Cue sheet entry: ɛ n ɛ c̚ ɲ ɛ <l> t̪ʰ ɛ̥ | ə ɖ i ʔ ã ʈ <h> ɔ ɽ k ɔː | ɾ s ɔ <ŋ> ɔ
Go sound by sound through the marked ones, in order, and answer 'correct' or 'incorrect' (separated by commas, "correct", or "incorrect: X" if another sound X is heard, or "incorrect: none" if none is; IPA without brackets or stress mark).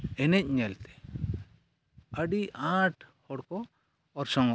correct, correct, correct